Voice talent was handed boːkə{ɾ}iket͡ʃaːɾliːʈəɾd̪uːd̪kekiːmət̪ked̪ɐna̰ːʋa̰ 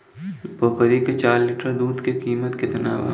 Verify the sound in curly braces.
correct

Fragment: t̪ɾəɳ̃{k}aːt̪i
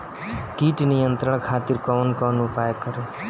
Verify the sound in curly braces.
incorrect: kʰ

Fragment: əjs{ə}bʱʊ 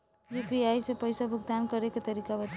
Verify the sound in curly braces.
incorrect: a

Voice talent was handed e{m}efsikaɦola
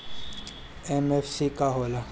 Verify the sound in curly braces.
correct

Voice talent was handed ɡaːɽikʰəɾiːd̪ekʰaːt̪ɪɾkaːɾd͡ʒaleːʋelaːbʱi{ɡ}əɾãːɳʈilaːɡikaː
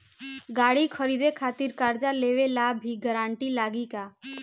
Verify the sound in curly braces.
correct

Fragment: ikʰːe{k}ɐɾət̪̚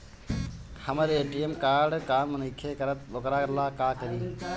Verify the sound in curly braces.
correct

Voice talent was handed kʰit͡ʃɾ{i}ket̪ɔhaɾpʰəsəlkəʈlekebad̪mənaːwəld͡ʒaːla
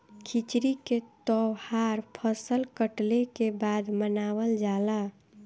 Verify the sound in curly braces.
correct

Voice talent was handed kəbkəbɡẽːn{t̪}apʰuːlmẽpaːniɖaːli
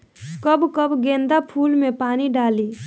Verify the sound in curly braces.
incorrect: d̪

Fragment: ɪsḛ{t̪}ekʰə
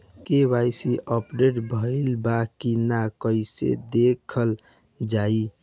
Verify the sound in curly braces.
incorrect: d̪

